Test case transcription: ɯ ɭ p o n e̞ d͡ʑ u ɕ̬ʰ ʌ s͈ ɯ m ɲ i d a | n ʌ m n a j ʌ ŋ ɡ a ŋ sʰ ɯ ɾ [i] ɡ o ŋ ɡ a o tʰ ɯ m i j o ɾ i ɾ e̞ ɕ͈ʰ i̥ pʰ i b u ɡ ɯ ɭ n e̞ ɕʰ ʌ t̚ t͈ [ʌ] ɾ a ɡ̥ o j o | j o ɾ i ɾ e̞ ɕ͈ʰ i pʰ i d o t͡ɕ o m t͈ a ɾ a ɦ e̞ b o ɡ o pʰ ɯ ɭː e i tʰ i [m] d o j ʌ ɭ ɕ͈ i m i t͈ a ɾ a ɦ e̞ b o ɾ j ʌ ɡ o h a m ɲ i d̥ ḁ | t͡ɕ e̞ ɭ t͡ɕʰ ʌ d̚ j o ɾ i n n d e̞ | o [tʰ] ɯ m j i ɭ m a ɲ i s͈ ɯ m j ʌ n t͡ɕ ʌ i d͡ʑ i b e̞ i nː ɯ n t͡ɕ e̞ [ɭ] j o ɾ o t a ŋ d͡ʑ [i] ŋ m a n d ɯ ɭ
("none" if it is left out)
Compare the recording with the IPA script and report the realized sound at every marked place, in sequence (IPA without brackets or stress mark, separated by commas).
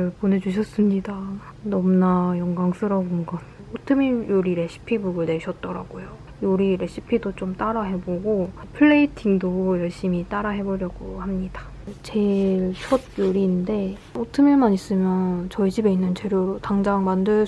a, ʌ, ŋ, tʰ, ɾ, a